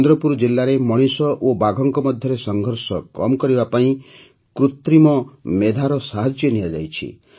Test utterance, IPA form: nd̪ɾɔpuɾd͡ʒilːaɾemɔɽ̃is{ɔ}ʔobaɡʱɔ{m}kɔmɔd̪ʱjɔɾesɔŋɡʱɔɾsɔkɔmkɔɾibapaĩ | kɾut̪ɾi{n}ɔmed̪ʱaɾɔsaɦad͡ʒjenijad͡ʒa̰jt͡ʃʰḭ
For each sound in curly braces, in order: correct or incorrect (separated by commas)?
correct, incorrect, incorrect